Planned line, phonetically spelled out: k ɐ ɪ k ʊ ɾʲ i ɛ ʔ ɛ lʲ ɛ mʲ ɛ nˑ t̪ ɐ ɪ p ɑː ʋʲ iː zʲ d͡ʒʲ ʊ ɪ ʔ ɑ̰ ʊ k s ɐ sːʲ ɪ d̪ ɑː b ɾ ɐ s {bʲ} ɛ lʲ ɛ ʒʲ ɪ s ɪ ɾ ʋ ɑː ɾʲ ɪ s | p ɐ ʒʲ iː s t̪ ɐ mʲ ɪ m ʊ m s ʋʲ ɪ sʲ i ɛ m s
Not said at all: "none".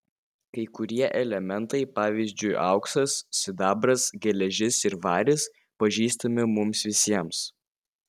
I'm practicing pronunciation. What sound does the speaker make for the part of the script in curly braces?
ɡʲ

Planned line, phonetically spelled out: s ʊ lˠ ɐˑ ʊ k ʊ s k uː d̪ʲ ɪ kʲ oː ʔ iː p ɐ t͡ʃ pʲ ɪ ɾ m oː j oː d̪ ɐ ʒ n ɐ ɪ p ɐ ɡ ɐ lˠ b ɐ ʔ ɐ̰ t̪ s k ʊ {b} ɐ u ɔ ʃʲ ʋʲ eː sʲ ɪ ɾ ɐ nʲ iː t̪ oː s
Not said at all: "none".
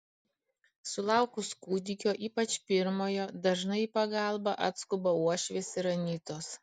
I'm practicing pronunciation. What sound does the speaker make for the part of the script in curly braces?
b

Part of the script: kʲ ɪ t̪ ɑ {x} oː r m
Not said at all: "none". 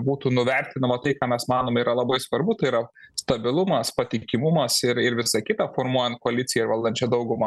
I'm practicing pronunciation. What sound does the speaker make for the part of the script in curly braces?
f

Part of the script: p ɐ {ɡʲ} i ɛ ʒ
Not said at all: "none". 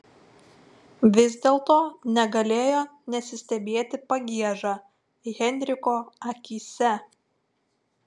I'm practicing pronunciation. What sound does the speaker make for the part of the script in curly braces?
ɡʲ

